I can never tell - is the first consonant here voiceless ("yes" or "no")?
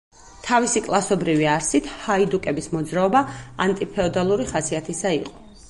yes